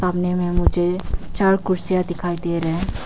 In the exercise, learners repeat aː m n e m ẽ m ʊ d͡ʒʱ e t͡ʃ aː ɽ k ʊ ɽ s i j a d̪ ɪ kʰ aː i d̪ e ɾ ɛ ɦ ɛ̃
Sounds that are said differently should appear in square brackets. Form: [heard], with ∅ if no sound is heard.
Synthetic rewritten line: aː m n e m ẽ m ʊ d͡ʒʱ e t͡ʃ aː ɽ k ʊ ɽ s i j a d̪ ɪ kʰ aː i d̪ e ɾ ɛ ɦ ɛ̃

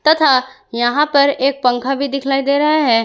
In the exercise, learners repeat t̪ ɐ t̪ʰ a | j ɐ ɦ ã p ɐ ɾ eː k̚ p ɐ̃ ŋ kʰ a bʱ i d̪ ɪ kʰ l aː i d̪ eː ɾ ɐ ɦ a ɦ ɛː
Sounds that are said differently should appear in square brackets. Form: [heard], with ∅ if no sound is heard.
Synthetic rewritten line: t̪ ɐ t̪ʰ a | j ɐ ɦ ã p ɐ ɾ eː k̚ p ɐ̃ ŋ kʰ a bʱ i d̪ ɪ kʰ l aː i d̪ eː ɾ ɐ ɦ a ɦ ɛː

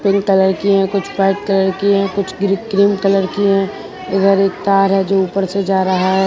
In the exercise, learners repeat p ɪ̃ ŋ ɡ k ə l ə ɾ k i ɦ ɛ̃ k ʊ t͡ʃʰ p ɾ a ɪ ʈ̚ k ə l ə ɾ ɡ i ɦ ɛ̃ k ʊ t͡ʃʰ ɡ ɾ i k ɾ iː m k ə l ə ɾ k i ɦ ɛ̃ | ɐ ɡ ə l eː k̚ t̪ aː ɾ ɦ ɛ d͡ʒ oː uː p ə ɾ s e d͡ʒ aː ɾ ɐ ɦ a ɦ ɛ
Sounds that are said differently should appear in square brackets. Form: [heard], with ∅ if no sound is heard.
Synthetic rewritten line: p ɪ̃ ŋ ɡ k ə l ə ɾ k i ɦ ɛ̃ k ʊ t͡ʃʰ p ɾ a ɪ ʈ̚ k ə l ə ɾ [k] i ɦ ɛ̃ k ʊ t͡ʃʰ ɡ ɾ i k ɾ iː m k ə l ə ɾ k i ɦ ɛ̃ | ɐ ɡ ə [ɾ] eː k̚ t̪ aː ɾ ɦ ɛ d͡ʒ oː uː p ə ɾ s e d͡ʒ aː ɾ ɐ ɦ a ɦ ɛ

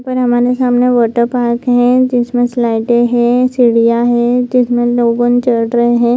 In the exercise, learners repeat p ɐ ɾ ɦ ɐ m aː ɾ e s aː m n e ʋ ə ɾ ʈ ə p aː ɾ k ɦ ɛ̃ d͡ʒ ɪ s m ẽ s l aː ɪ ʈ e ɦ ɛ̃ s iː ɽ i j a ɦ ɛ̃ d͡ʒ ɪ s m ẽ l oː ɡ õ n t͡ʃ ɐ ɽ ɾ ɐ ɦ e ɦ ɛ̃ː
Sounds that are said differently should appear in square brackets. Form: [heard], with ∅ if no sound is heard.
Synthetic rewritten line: p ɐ ɾ ɦ ɐ m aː ɾ e s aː m n e ʋ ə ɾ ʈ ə p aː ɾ k ɦ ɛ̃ d͡ʒ ɪ s m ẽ s l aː ɪ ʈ e ɦ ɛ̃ s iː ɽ i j a ɦ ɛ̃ d͡ʒ ɪ s m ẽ l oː ɡ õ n t͡ʃ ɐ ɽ ɾ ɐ ɦ e ɦ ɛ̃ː

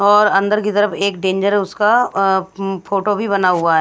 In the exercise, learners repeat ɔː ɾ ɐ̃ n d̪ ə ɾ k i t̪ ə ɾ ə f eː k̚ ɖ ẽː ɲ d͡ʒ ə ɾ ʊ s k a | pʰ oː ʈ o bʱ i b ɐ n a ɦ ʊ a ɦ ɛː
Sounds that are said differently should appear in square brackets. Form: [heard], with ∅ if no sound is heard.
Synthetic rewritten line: ɔː ɾ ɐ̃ n d̪ ə ɾ k i t̪ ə ɾ ə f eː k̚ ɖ ẽː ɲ d͡ʒ ə ɾ ʊ s k a | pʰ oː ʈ o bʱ i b ɐ n a ɦ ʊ a ɦ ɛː

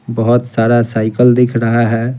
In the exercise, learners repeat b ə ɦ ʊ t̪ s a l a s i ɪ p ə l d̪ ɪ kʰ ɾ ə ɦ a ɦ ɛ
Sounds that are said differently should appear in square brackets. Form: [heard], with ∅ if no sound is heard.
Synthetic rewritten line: b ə ɦ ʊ t̪ s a [ɾ] a s [a] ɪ [k] ə l d̪ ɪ kʰ ɾ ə ɦ a ɦ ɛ

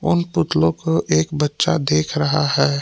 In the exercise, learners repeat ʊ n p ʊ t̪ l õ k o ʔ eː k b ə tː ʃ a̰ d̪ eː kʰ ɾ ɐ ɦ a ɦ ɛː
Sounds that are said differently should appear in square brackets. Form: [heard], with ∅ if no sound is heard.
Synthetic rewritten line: ʊ n p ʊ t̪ l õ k o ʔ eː k b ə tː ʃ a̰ d̪ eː kʰ ɾ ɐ ɦ a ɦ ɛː

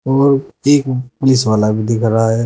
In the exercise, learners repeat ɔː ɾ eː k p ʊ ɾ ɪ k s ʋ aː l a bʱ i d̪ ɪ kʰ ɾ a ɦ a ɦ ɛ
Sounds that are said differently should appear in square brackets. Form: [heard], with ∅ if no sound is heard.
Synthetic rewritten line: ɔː ɾ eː k p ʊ [l] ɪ [∅] s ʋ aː l a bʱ i d̪ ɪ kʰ ɾ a ɦ a ɦ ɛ

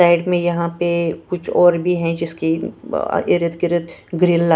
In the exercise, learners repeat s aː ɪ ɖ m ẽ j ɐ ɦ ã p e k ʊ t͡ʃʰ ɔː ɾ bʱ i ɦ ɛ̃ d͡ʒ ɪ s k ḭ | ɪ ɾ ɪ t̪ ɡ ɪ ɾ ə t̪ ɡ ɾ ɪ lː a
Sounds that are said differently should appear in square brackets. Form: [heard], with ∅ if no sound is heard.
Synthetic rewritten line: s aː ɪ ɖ m ẽ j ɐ ɦ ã p e k ʊ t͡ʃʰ ɔː ɾ bʱ i ɦ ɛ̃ d͡ʒ ɪ s k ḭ | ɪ ɾ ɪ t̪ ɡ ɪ ɾ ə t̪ ɡ ɾ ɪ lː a

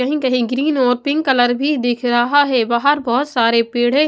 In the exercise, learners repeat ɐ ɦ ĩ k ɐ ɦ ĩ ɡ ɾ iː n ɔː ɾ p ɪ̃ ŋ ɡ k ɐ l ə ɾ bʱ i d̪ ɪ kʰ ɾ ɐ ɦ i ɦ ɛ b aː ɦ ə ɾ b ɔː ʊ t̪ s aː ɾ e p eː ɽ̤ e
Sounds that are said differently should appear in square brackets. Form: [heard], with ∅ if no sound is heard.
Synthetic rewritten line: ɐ ɦ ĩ k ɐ ɦ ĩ ɡ ɾ iː n ɔː ɾ p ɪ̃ ŋ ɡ k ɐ l ə ɾ bʱ i d̪ ɪ kʰ ɾ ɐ ɦ [a] ɦ ɛ b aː ɦ ə ɾ b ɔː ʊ t̪ s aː ɾ e p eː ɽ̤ e

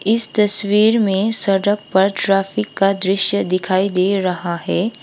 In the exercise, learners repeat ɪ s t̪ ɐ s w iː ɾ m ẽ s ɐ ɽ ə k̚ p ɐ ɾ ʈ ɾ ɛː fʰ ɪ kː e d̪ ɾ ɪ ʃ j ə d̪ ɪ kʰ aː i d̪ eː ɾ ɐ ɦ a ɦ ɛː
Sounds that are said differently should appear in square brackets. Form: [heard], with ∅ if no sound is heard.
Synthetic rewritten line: ɪ s t̪ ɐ s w iː ɾ m ẽ s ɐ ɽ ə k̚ p ɐ ɾ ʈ ɾ [aː] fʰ ɪ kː [a] d̪ ɾ ɪ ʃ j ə d̪ ɪ kʰ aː i d̪ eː ɾ ɐ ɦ a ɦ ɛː

